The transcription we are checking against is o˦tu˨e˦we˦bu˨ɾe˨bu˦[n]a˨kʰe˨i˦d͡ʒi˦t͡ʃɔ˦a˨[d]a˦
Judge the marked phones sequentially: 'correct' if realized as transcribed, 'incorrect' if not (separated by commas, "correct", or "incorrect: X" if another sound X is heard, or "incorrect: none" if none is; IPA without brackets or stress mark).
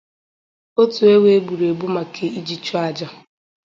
incorrect: m, incorrect: d͡ʒ